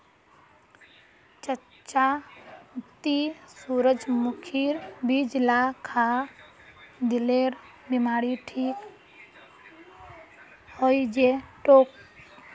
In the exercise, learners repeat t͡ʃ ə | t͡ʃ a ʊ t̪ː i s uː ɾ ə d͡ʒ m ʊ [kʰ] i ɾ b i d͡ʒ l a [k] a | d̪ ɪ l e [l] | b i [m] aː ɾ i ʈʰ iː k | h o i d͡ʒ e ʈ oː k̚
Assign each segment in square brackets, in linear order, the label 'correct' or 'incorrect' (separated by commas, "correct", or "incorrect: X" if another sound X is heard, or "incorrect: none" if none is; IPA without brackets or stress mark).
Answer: correct, incorrect: kʰ, incorrect: ɾ, correct